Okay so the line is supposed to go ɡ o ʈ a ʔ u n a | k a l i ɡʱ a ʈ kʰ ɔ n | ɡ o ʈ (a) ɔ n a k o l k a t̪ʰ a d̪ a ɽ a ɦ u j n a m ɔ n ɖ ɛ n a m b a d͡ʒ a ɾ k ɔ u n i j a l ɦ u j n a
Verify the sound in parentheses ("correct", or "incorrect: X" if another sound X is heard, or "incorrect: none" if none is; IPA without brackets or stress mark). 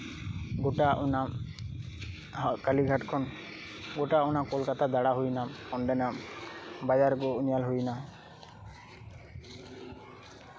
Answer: correct